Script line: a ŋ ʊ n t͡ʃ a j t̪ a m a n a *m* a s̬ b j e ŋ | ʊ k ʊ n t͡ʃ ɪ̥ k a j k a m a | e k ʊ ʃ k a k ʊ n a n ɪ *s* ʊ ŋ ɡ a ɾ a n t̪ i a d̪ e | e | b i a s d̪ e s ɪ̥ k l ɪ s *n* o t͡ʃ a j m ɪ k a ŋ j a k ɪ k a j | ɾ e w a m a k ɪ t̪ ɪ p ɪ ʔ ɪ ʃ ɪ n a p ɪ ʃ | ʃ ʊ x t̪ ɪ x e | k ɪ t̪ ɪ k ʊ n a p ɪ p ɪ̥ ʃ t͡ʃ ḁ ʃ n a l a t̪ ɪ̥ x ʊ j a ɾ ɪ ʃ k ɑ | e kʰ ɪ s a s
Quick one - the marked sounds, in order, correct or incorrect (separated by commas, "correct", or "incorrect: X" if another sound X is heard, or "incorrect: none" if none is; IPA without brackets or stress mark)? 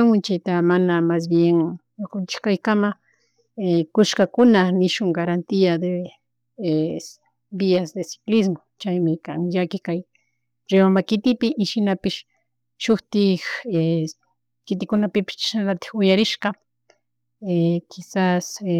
correct, incorrect: ʃ, incorrect: m